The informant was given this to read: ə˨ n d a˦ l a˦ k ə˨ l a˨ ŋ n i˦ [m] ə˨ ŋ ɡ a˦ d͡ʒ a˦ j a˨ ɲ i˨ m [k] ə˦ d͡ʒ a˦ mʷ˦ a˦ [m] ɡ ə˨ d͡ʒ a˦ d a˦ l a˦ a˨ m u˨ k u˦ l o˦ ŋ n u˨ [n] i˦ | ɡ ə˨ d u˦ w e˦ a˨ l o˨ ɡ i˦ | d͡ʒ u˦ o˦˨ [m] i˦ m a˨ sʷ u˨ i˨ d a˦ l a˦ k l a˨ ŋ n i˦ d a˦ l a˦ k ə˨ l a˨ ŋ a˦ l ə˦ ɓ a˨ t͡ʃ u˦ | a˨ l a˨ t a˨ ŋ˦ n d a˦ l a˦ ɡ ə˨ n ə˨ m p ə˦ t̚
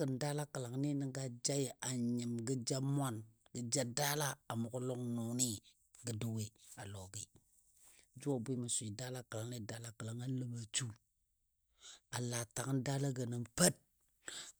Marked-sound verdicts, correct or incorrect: incorrect, incorrect, incorrect, correct, incorrect

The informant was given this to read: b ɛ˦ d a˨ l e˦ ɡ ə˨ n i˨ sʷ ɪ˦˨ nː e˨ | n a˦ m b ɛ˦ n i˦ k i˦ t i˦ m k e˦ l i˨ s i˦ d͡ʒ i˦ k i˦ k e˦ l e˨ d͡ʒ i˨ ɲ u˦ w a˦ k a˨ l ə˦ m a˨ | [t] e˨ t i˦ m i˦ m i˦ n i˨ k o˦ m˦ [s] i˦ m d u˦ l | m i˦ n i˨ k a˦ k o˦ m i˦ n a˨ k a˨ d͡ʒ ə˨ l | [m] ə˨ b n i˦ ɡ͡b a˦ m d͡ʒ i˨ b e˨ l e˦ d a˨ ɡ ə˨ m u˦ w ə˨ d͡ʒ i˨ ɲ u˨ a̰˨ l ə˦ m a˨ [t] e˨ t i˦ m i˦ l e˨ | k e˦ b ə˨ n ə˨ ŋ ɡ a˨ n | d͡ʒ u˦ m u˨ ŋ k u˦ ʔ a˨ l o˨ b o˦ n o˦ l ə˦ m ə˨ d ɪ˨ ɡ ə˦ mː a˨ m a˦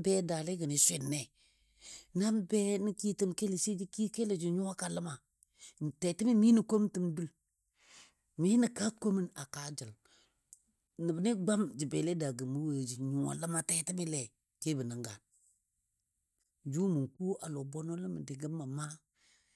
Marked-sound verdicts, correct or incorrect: correct, incorrect, incorrect, correct

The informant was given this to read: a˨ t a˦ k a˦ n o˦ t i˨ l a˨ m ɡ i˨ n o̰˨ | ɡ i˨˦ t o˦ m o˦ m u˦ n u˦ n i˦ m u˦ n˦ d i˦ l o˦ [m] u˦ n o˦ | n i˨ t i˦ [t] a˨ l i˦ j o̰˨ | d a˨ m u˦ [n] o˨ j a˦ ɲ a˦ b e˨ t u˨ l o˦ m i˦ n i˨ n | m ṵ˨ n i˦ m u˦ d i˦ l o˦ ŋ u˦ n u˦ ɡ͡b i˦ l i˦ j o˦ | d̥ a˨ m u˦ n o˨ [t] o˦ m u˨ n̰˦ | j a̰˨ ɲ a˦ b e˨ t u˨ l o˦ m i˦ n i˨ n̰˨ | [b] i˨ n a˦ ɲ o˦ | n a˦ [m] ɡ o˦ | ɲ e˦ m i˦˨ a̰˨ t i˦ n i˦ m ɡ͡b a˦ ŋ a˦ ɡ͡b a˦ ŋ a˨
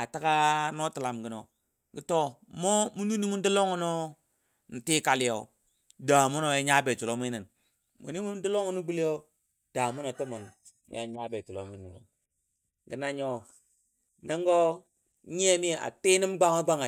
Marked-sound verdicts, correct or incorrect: incorrect, incorrect, correct, correct, incorrect, incorrect

